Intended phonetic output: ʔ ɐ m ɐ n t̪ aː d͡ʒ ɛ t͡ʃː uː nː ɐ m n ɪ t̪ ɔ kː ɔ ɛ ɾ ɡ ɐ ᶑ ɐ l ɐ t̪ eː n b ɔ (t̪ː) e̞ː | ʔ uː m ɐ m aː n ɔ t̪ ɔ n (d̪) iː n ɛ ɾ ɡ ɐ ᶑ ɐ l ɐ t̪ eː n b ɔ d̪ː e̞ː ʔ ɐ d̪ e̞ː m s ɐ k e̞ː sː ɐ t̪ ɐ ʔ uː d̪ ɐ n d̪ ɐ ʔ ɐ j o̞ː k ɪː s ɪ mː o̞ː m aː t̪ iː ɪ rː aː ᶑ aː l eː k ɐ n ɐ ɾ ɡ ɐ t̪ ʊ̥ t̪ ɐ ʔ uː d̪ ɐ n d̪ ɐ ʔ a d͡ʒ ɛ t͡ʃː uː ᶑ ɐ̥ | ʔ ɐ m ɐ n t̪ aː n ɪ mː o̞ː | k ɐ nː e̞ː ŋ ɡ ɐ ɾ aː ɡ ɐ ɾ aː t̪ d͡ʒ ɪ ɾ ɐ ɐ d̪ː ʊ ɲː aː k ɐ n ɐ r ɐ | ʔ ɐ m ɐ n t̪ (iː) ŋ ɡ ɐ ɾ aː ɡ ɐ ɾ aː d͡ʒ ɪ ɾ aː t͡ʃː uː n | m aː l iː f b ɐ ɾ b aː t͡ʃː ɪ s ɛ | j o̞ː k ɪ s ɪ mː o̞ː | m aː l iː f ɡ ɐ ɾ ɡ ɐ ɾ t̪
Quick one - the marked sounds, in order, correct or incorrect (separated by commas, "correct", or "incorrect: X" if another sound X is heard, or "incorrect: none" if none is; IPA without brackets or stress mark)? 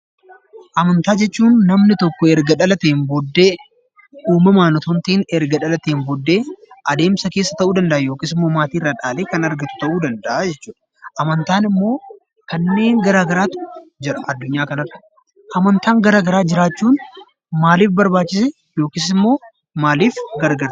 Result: incorrect: d̪ː, incorrect: t̪, incorrect: aː